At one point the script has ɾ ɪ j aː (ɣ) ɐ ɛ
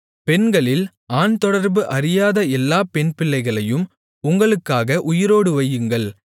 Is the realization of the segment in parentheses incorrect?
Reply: yes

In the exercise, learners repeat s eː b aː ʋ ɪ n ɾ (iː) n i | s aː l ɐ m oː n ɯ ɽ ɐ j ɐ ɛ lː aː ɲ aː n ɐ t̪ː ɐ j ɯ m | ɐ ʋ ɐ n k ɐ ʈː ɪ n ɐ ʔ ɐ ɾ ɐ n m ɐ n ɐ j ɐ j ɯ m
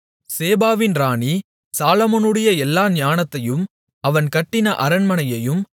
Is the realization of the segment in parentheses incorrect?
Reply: yes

